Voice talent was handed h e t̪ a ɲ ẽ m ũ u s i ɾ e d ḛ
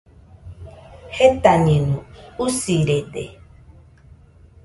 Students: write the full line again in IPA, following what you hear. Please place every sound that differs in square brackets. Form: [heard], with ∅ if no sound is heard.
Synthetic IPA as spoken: h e t̪ a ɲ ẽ [n] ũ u s i ɾ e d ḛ